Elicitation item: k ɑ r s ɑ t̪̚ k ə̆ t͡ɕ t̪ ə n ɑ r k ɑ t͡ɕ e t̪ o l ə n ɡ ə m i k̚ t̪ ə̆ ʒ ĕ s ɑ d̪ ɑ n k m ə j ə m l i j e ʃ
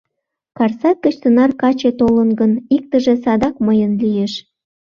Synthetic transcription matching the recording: k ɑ r s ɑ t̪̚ k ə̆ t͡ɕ t̪ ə n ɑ r k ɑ t͡ɕ e t̪ o l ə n ɡ ə n i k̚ t̪ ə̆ ʒ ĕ s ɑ d̪ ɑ k m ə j ə n l i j e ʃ